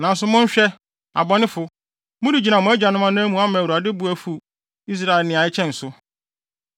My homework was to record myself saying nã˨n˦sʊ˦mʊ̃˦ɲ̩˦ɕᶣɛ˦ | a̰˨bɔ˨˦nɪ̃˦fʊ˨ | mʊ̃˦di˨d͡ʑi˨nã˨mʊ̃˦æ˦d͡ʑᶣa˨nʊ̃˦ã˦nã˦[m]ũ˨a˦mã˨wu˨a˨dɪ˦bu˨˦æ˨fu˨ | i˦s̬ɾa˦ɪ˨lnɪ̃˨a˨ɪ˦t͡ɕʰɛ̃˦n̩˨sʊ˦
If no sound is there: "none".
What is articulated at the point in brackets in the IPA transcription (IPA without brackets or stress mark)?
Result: m